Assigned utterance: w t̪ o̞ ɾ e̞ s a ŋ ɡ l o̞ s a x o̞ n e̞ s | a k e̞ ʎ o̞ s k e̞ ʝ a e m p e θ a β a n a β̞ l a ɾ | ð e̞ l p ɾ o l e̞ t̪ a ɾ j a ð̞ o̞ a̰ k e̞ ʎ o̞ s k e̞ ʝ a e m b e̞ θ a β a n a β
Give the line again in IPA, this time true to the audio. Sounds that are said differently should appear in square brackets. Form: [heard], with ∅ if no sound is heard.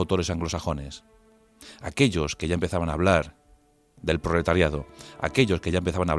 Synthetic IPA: w t̪ o̞ ɾ e̞ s a ŋ ɡ l o̞ s a x o̞ n e̞ s | a k e̞ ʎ o̞ s k e̞ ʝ a e m p e θ a β a n a β̞ l a ɾ | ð e̞ l p ɾ o l e̞ t̪ a ɾ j a ð̞ o̞ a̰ k e̞ ʎ o̞ s k e̞ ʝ a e m [p] e̞ θ a β a n a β